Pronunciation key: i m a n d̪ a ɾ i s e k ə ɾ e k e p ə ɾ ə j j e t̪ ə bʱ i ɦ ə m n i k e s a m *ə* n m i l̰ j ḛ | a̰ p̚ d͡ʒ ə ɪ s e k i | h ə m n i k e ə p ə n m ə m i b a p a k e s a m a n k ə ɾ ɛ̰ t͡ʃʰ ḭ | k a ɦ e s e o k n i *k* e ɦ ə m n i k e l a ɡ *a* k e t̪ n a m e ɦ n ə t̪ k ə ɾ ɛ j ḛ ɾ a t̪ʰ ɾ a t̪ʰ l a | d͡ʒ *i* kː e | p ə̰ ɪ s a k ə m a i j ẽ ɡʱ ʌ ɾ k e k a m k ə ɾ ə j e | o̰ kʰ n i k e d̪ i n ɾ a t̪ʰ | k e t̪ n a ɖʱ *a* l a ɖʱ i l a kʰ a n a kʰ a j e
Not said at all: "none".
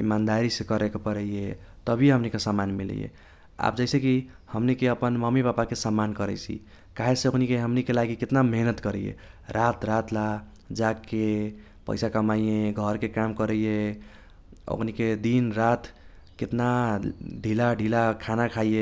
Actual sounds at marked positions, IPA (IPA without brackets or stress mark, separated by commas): a, k, i, a, i